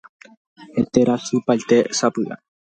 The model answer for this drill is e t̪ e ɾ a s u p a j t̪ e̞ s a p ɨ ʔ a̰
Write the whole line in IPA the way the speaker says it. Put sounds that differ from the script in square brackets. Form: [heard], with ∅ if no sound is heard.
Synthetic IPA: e t̪ e ɾ a s u p a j t̪ e̞ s a p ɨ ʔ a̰